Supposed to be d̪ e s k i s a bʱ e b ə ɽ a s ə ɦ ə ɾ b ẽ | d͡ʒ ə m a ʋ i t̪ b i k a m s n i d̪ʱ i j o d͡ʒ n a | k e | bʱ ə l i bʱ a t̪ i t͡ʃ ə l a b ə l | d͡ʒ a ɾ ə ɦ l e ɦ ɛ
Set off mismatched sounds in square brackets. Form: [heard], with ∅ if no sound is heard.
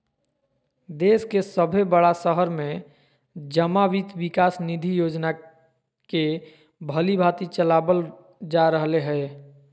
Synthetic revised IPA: d̪ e s k [e] s [ə] bʱ e b ə ɽ a s ə ɦ ə ɾ [m] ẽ | d͡ʒ ə m a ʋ i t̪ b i k a [∅] s n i d̪ʱ i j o d͡ʒ n a | k e | bʱ ə l i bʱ a t̪ i t͡ʃ ə l a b ə l | d͡ʒ a ɾ ə ɦ l e ɦ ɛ